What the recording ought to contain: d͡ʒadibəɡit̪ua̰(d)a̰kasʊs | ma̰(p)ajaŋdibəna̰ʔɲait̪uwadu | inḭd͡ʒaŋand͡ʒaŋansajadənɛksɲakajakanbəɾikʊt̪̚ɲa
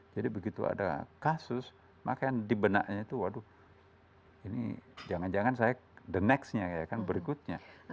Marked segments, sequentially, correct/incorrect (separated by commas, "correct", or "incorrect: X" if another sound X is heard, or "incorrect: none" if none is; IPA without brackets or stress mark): correct, incorrect: k